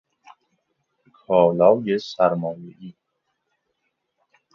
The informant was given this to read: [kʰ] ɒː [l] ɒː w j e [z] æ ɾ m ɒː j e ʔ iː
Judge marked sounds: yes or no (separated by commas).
yes, yes, no